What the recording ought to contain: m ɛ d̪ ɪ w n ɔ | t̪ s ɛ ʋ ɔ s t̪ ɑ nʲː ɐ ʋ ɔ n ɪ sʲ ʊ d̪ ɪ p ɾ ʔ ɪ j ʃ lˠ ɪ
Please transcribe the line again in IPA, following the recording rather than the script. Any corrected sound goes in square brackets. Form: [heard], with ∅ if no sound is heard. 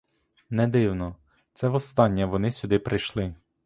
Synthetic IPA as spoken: [n] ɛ d̪ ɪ w n ɔ | t̪ s ɛ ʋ ɔ s t̪ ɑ nʲː ɐ ʋ ɔ n ɪ sʲ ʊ d̪ ɪ p ɾ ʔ ɪ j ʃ lˠ ɪ